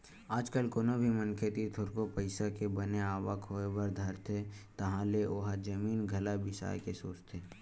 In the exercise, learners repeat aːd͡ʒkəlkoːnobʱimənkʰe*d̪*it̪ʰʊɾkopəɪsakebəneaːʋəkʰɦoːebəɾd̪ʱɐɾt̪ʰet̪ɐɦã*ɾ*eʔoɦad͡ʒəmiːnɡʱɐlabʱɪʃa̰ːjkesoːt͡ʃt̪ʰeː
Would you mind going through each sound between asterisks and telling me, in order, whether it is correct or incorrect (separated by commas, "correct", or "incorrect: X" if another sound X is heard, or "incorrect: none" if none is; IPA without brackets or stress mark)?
incorrect: t̪, incorrect: l